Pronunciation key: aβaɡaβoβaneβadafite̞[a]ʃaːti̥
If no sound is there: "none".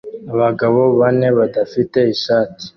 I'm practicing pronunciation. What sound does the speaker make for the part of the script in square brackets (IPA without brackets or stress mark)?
i